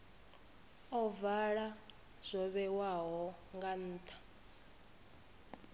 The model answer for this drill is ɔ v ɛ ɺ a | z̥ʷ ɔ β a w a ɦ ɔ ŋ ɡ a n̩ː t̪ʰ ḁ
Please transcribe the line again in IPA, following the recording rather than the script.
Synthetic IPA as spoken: ɔ v a ɺ a | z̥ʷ ɔ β ɛ w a ɦ ɔ ŋ ɡ a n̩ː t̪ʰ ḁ